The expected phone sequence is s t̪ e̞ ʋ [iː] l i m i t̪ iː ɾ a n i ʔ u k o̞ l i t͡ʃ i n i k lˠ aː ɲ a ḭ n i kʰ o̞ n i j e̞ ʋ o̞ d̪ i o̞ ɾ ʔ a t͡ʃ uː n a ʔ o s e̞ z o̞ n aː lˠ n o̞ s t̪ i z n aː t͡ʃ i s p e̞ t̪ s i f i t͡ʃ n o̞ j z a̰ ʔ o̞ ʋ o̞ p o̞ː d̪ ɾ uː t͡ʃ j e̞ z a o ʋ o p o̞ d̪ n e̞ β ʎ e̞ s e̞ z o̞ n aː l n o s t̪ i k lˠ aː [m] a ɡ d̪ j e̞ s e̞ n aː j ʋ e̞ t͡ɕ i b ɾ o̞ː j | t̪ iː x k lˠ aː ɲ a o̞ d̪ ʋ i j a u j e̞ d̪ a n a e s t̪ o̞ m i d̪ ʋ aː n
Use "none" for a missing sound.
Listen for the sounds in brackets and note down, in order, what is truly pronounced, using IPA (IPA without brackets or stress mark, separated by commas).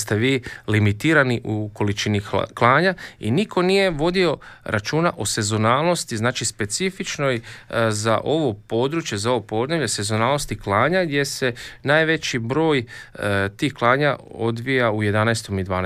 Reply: iː, ɲ